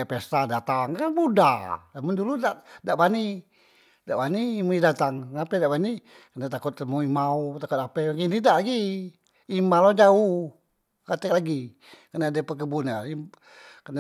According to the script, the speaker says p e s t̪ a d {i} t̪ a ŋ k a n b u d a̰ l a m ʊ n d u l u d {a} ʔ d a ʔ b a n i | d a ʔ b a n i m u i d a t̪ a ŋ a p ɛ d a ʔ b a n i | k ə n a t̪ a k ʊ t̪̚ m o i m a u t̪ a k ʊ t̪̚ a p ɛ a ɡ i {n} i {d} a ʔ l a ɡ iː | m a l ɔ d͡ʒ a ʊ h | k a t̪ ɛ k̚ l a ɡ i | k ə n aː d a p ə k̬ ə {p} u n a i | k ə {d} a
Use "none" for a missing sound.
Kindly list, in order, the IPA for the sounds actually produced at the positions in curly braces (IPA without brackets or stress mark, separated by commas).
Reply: a, a, n, d, b, n